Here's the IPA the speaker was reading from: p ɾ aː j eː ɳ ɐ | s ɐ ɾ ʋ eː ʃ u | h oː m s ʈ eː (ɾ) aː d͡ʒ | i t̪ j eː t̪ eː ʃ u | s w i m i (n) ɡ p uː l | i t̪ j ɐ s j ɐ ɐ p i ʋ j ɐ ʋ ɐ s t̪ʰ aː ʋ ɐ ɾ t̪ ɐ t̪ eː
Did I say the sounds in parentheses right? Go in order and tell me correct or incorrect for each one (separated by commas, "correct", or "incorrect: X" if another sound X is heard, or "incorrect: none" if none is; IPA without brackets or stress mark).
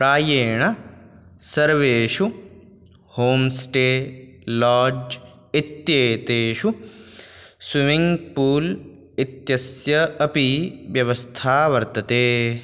incorrect: l, incorrect: ŋ